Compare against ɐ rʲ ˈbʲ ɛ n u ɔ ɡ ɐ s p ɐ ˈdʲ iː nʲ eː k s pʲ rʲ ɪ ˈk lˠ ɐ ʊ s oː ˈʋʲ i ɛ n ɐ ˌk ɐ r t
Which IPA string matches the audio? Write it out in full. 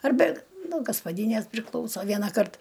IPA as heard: ɐ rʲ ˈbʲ ɛ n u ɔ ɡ ɐ s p ɐ ˈdʲ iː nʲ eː s pʲ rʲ ɪ ˈk lˠ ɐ ʊ s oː ˈʋʲ i ɛ n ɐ ˌk ɐ r t